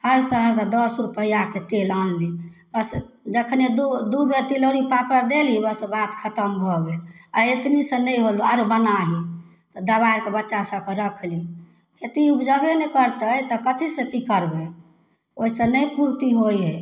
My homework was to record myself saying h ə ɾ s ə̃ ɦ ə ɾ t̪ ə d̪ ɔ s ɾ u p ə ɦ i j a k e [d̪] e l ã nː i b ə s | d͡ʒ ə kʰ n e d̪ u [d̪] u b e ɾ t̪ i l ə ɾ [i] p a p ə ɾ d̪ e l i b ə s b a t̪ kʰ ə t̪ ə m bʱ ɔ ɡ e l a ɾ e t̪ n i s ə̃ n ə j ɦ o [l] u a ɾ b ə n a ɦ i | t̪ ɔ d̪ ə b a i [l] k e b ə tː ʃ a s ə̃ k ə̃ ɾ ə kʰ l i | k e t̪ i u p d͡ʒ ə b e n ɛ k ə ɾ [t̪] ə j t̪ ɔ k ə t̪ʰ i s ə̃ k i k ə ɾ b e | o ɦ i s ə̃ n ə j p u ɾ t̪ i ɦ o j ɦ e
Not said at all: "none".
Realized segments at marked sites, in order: t̪, d̪, i, l, ɾ, t̪

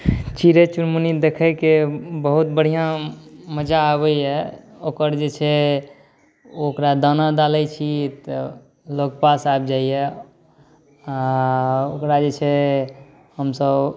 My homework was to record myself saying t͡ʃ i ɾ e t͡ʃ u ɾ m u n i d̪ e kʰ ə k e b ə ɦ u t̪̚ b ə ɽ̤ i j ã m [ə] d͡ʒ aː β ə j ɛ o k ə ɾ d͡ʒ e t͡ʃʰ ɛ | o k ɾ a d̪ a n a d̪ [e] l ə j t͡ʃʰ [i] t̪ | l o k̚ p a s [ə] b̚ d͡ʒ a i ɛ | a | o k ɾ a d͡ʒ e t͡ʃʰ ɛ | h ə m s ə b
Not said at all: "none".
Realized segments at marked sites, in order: ə, a, i, a

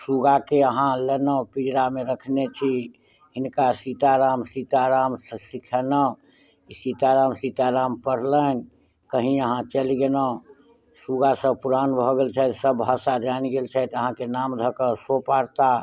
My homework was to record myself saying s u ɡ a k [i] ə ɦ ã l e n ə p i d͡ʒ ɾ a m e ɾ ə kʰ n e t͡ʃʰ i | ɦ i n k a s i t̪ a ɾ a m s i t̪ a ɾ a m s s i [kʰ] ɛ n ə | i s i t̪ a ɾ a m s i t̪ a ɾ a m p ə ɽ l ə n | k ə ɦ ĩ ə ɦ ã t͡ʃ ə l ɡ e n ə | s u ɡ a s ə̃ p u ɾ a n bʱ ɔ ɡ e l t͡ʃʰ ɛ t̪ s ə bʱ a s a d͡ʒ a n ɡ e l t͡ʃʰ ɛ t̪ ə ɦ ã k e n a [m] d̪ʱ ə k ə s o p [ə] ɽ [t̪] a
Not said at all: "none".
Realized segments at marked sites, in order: e, kʰ, m, a, t̪

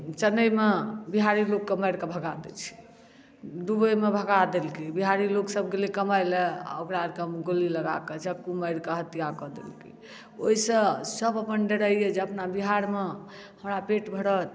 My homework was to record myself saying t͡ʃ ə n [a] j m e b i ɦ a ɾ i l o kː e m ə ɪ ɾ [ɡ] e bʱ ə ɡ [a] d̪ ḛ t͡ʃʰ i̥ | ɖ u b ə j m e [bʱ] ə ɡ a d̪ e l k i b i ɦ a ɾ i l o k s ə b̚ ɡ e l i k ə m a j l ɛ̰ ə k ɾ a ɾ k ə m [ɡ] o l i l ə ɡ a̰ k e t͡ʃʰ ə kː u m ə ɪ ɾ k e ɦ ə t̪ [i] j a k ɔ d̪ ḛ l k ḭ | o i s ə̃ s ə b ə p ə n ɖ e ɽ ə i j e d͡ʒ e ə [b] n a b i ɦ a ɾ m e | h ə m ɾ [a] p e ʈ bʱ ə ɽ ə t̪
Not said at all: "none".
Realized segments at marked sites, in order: ə, k, a, bʱ, ɡ, i, p, a

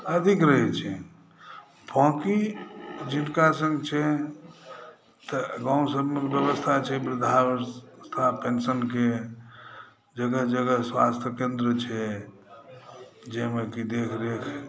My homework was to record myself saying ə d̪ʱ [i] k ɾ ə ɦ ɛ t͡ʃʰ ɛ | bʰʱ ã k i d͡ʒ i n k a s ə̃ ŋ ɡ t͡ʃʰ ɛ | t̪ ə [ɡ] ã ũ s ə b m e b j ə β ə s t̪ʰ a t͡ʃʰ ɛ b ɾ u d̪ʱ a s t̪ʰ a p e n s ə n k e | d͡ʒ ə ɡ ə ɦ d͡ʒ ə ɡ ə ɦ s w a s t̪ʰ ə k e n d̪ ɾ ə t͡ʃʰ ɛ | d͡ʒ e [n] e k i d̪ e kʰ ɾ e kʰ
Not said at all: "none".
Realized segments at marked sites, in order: i, ɡ, m

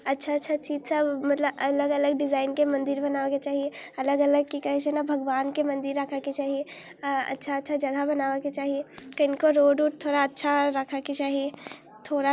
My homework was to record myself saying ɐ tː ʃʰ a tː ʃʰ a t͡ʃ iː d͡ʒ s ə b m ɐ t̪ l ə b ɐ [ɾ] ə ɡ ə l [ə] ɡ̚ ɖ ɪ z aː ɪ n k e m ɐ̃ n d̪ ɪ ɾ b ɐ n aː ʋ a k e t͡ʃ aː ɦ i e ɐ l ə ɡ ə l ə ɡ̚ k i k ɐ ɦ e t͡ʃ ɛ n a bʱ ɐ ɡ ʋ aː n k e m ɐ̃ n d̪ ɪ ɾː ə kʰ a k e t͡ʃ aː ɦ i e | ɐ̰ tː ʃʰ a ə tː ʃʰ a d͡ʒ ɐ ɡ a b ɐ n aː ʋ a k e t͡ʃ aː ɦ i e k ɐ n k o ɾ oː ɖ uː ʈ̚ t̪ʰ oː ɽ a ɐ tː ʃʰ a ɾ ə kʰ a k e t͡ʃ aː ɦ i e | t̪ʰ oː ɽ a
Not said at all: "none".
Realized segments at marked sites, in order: l, ə

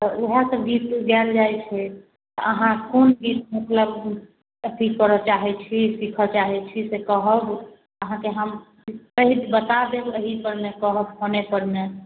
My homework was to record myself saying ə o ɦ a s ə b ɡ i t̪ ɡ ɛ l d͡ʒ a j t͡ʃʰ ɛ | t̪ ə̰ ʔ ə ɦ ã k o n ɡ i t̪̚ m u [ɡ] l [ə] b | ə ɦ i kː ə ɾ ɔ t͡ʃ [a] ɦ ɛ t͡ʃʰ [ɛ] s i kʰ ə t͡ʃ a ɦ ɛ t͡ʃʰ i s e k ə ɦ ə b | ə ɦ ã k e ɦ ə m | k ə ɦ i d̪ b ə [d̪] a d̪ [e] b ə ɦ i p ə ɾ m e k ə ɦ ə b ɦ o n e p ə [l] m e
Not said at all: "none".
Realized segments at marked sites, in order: k, ə, a, i, t̪, e, ɾ

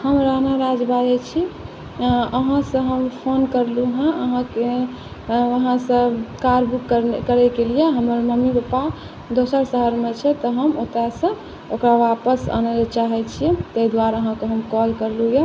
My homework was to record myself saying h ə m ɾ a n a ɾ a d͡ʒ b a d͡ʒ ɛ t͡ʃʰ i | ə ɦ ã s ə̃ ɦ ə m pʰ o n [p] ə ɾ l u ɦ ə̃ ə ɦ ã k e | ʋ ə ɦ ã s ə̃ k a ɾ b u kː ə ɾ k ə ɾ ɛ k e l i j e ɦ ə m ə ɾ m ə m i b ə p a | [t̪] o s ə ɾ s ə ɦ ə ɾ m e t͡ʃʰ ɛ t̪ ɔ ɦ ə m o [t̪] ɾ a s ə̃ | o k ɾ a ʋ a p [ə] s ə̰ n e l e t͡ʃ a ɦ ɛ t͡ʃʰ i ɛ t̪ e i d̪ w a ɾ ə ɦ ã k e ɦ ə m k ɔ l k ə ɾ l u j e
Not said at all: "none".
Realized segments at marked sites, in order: k, d̪, t̪, ə

